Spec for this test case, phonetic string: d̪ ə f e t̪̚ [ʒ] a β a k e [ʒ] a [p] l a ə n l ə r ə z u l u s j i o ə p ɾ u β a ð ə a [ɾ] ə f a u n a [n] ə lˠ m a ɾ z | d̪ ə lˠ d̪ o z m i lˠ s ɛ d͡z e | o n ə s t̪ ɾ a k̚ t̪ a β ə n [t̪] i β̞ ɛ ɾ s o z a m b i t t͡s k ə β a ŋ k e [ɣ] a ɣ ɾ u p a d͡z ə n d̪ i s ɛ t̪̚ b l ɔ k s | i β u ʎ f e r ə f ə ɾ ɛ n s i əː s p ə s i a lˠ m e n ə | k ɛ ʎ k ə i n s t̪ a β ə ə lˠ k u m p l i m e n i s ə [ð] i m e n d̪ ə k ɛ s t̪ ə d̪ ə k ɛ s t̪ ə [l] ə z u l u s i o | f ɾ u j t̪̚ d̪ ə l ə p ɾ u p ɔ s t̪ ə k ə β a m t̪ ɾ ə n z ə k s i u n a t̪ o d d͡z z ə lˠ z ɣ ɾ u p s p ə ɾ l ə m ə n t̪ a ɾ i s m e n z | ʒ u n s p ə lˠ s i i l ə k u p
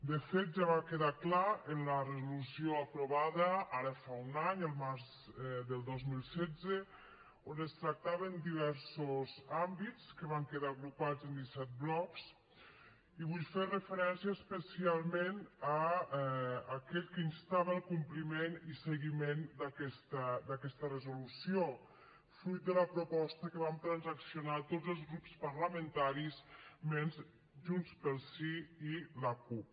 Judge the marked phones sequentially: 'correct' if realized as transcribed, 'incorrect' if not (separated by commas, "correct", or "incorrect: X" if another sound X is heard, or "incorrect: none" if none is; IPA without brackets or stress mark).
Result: correct, incorrect: ð, incorrect: k, correct, incorrect: ɲ, incorrect: d̪, incorrect: ð, incorrect: ɣ, incorrect: r